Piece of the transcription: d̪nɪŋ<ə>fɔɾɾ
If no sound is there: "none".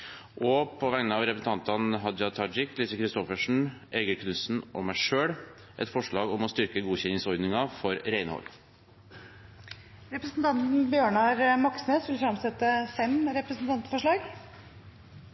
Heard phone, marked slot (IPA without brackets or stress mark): ɑ